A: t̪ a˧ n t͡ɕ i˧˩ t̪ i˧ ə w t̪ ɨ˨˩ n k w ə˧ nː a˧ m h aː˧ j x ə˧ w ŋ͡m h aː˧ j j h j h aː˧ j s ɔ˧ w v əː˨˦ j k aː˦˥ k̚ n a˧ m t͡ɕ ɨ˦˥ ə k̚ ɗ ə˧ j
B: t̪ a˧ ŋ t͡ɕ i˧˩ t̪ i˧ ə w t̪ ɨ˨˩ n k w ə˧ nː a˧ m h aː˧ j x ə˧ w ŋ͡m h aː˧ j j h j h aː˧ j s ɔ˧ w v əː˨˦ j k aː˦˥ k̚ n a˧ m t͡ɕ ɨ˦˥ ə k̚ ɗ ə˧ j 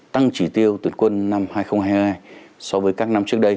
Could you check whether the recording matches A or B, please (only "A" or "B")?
B